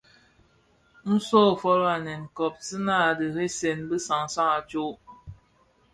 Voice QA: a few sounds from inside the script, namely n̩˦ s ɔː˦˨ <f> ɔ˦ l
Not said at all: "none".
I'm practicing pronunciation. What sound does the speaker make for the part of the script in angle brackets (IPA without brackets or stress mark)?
f